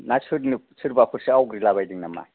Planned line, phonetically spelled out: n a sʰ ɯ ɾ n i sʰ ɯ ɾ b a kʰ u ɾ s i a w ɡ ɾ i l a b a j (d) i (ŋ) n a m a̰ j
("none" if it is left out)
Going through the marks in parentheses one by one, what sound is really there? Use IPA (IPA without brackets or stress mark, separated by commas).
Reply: d, ŋ